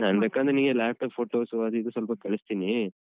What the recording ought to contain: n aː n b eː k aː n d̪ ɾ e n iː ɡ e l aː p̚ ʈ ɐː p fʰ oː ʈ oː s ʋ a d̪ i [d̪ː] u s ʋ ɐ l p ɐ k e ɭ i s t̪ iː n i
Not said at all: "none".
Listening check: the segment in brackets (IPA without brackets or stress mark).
d̪